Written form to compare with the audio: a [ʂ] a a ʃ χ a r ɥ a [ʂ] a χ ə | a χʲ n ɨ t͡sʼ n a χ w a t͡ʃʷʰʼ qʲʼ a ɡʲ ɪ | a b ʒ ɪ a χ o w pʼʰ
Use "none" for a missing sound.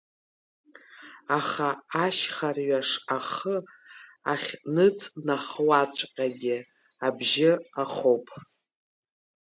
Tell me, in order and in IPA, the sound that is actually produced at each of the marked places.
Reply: χ, ʂ

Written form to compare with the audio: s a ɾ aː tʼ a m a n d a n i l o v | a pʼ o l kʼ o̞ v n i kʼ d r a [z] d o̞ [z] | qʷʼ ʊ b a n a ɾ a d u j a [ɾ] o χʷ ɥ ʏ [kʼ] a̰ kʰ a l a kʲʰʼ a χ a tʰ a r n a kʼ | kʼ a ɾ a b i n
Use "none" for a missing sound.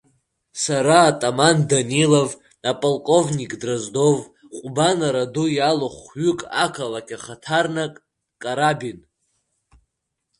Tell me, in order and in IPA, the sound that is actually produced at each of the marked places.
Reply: z, v, l, kʼ

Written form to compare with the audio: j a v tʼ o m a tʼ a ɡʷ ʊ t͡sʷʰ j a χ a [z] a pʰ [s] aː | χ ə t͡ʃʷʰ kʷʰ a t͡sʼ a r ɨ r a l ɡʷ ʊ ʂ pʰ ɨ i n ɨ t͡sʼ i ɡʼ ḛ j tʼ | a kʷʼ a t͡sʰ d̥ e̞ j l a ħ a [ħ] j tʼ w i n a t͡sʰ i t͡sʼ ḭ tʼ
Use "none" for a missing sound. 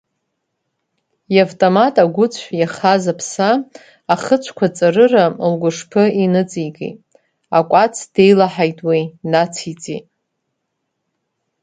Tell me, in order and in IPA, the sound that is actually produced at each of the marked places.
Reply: z, s, none

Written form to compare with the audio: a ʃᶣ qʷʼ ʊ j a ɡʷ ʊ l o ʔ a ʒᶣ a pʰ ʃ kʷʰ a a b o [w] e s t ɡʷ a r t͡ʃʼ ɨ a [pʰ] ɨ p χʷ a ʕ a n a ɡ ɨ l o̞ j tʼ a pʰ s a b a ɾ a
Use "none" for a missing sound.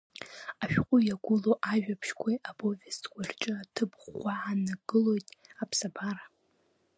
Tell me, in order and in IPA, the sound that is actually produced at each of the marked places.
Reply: v, tʰ

